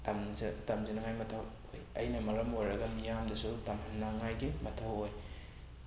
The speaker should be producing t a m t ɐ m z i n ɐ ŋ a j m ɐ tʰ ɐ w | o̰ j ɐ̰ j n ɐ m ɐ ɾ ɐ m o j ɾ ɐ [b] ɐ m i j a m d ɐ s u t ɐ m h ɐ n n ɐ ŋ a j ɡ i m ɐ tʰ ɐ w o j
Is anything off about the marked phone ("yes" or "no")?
yes